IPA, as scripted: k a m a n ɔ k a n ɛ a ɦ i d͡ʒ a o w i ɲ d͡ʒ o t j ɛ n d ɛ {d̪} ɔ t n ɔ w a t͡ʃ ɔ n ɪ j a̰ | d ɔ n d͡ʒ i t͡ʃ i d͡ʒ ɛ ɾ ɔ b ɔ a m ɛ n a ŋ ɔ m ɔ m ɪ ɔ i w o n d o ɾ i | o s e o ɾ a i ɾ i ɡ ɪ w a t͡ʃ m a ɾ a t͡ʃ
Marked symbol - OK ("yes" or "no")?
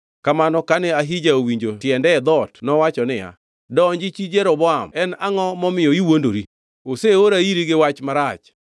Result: yes